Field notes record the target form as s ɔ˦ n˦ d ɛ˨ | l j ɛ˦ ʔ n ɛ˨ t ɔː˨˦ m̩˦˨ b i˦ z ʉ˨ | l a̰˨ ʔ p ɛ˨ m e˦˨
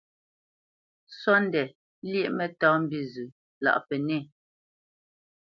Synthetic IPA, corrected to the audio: s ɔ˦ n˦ d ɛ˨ | l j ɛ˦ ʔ m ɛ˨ t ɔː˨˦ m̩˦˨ b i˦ z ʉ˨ | l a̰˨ ʔ p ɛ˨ n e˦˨